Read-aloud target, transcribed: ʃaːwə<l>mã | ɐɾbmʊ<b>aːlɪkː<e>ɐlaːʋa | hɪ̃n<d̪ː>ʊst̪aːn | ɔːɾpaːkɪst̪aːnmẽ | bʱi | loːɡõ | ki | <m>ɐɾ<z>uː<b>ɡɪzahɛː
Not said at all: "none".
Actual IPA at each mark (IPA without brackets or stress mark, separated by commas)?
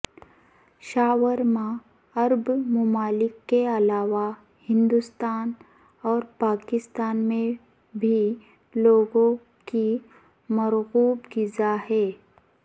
ɾ, m, e, d̪, m, ɣ, b